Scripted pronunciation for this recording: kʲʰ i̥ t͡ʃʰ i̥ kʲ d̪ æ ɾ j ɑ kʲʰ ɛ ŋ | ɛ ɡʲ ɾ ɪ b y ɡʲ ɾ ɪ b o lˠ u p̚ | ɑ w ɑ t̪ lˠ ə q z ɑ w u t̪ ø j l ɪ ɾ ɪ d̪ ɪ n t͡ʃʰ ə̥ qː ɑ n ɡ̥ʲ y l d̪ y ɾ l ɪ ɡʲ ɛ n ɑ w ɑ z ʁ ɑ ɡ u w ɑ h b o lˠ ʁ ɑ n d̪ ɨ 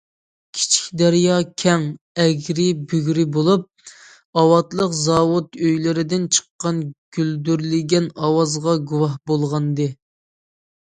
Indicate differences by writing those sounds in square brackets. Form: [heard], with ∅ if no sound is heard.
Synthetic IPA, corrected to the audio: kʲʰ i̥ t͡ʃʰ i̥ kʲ d̪ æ ɾ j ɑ kʲʰ ɛ ŋ | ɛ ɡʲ ɾ ɪ b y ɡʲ ɾ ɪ b o lˠ u p̚ | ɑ w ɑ t̪ lˠ ə q z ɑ w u t̪ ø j l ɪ ɾ ɪ d̪ ɪ n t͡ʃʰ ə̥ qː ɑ n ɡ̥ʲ y l d̪ y ɾ l ɪ ɡʲ ɛ n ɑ w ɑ z ʁ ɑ ɡ u w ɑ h b o lˠ ʁ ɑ n d̪ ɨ